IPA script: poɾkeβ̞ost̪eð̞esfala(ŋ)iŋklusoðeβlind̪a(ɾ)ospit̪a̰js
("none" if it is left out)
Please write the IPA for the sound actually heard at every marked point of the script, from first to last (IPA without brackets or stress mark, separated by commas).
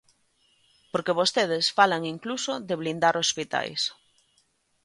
ŋ, ɾ